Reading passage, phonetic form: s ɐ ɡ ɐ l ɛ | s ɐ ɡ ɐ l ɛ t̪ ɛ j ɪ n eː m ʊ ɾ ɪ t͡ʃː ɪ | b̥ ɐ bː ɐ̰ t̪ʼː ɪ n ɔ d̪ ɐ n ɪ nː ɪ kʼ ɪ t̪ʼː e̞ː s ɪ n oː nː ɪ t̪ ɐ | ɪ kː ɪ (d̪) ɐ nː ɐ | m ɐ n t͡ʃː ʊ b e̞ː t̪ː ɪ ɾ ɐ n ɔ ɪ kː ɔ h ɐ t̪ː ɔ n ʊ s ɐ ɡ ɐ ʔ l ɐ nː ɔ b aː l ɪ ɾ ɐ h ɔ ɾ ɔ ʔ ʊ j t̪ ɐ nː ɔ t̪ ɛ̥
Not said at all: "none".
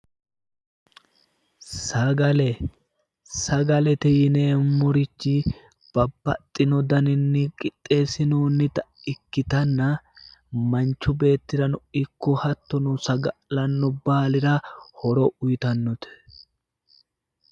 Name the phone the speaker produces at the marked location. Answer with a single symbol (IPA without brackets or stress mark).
t̪